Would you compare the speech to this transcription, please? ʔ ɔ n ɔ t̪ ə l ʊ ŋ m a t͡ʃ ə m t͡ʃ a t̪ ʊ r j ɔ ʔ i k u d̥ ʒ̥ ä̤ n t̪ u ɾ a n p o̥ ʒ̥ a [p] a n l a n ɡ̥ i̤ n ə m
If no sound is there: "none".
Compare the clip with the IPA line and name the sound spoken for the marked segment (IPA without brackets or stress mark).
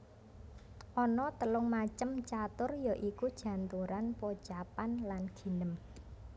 p